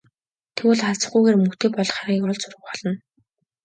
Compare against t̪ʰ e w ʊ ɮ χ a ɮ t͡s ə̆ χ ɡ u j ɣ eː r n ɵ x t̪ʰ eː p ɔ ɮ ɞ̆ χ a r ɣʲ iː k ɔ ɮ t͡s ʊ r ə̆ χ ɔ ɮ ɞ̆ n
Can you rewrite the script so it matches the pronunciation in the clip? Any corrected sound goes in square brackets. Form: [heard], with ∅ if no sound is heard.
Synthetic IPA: t̪ʰ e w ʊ ɮ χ a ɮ t͡s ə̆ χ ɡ u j ɣ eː r [m] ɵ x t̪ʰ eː p ɔ ɮ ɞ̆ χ a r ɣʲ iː k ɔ ɮ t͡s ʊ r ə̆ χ ɔ ɮ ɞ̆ n